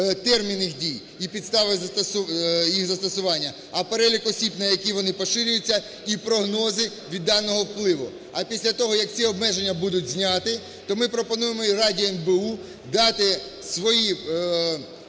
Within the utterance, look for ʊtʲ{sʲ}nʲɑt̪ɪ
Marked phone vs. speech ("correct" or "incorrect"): incorrect